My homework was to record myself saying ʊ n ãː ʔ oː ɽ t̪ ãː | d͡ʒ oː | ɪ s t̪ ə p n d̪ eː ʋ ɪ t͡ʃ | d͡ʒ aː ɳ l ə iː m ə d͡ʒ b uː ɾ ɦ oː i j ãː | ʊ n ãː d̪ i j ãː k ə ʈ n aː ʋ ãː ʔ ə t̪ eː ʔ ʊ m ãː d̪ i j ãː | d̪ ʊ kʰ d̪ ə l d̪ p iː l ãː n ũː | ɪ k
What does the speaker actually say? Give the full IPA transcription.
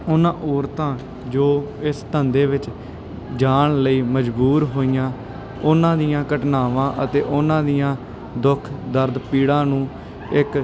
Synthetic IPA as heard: ʊ n ãː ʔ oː ɾ t̪ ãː | d͡ʒ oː | ɪ s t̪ ə n d̪ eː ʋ ɪ t͡ʃ | d͡ʒ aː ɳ l ə iː m ə d͡ʒ b uː ɾ ɦ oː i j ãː | ʊ n ãː d̪ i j ãː k ə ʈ n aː ʋ ãː ʔ ə t̪ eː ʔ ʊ n ãː d̪ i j ãː | d̪ ʊ kʰ d̪ ə ɾ d̪ p iː ɽ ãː n ũː | ɪ k